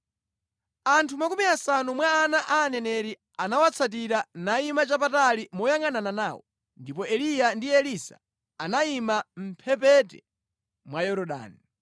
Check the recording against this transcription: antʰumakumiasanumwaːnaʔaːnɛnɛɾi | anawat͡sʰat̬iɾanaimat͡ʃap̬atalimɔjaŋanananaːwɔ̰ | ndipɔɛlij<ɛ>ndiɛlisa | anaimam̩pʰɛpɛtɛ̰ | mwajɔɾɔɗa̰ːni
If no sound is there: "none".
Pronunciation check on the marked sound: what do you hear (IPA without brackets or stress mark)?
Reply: a